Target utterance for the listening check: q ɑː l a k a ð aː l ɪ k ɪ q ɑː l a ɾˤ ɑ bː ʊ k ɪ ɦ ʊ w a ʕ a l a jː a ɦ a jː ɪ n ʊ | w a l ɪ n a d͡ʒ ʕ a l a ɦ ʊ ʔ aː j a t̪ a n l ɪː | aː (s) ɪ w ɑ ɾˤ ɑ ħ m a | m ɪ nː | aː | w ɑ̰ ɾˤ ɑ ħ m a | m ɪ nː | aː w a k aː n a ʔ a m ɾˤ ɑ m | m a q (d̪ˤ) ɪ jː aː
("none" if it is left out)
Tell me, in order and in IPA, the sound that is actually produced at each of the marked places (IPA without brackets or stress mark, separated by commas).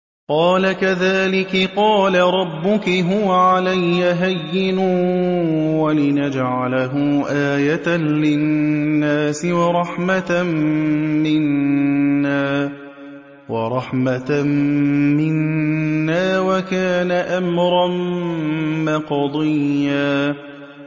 s, d̪ˤ